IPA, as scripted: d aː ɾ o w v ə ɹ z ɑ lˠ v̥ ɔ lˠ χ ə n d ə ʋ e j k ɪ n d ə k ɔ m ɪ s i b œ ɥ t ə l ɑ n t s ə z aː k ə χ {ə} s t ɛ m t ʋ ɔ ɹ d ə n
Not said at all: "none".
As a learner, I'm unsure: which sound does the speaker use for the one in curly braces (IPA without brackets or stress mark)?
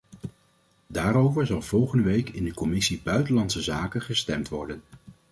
ə